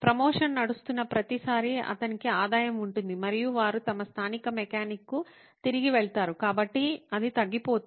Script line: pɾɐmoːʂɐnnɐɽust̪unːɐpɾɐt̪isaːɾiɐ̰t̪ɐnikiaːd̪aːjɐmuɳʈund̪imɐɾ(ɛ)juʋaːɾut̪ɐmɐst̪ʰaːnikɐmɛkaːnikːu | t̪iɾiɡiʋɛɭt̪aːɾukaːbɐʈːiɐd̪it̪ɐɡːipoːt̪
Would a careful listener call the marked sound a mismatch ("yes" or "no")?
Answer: yes